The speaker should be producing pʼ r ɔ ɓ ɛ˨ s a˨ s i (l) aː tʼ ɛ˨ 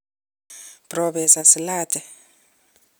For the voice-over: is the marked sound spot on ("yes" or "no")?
yes